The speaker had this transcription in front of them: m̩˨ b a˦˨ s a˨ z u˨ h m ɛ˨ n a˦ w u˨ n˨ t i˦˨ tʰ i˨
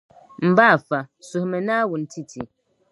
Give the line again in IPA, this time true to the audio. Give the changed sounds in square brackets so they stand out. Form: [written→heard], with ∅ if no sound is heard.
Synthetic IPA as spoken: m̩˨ b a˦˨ [s→f] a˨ [z→s] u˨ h m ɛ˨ n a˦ w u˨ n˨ t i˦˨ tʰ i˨